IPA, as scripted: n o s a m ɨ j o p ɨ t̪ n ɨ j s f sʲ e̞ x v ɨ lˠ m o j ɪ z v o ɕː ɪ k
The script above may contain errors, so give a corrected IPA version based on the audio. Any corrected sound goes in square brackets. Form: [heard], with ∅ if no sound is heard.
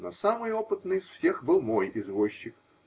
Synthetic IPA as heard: n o s a m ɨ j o p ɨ t̪ n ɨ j s f sʲ e̞ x [b] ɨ lˠ m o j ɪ z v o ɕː ɪ k